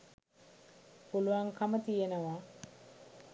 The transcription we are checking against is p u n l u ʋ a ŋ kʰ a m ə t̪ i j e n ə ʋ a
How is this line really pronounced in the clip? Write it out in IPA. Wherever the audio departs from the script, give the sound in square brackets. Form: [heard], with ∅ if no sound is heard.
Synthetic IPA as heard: p u [∅] l u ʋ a ŋ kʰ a m ə t̪ i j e n ə ʋ a

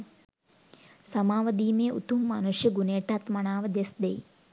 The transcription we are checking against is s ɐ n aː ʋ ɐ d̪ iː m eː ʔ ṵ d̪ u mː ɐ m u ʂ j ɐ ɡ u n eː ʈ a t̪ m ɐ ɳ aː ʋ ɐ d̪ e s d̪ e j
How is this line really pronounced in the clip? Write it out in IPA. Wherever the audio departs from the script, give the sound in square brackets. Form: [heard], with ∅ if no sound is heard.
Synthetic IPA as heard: s ɐ [m] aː ʋ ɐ d̪ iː m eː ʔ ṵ [t̪] u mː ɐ [n] u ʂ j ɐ ɡ u n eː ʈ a t̪ m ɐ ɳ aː ʋ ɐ d̪ e s d̪ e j

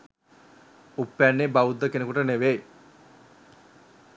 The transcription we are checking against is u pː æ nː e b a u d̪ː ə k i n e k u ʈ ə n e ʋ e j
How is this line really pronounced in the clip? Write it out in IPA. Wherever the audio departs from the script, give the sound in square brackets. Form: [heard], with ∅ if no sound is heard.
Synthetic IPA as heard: u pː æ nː e b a u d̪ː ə k [e] n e k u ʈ ə n e ʋ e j

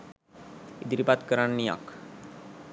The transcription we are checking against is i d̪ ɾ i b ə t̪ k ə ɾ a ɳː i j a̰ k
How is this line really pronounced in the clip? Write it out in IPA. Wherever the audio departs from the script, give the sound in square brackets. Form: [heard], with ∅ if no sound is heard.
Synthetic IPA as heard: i d̪ ɾ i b [a] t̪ k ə ɾ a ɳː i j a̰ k

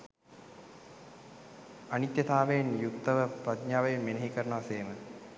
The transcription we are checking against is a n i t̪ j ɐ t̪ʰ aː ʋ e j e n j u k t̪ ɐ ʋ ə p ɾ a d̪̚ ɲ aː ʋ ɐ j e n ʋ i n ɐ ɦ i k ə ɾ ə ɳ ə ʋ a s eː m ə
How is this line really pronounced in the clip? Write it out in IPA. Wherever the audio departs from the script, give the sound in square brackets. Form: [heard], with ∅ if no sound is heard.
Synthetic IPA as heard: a n i t̪ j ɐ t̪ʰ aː ʋ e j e n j u k t̪ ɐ ʋ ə p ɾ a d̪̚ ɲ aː ʋ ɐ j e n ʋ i n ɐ ɦ i k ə ɾ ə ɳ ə ʋ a s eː m ə

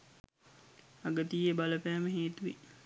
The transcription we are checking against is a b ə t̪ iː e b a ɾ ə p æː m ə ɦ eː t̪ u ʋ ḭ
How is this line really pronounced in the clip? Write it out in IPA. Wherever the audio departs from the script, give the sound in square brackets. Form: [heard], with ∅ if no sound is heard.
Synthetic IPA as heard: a [ɡ] ə t̪ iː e b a [l] ə p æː m ə ɦ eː t̪ u ʋ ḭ

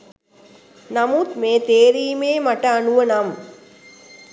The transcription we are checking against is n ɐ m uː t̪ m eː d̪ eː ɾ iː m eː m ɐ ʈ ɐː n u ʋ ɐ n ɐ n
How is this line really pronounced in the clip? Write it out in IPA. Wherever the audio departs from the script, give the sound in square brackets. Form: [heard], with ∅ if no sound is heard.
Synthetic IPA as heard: n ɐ m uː t̪ m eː [t̪] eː ɾ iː m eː m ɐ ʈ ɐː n u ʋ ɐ n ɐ [m]

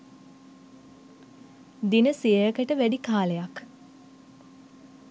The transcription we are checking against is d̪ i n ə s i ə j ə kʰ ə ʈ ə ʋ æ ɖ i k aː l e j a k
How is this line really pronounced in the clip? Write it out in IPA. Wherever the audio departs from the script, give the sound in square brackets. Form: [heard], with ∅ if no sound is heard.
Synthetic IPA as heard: d̪ i n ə s i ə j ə [k] ə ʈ ə ʋ æ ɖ i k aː l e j a k

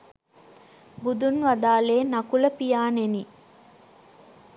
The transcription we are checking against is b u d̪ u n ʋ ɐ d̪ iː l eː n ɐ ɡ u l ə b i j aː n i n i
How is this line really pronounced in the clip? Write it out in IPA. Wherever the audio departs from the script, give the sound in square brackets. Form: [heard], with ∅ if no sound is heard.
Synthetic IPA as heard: b u d̪ u n ʋ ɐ d̪ [aː] l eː n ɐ [k] u l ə [p] i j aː n [e] n i

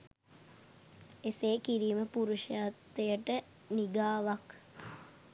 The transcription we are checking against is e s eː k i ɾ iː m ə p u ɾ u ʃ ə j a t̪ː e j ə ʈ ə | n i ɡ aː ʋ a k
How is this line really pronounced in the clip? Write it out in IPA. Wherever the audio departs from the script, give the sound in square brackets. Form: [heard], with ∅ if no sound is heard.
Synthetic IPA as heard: e s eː k i ɾ iː m ə p u ɾ u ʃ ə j a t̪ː e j ə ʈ ə | n i ɡ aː ʋ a k

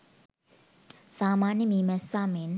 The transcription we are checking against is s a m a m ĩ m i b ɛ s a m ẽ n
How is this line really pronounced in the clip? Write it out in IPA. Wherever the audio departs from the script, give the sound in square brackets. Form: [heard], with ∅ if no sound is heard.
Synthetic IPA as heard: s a m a [n] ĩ m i [m] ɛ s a m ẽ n

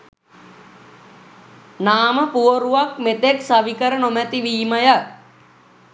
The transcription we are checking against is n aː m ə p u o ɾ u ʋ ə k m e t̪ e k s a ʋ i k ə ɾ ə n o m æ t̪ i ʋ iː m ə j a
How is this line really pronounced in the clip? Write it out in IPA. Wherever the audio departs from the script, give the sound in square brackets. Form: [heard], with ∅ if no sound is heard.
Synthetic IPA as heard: n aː m ə p u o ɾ u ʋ [a] k m e t̪ e k s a ʋ i k ə ɾ ə n o m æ t̪ i ʋ iː m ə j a

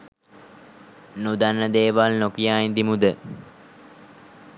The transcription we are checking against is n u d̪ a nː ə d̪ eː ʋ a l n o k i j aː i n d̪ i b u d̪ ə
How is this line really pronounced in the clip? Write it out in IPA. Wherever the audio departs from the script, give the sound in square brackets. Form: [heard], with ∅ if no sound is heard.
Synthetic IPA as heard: n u d̪ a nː ə d̪ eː ʋ a l n o k i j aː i n d̪ i [m] u d̪ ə

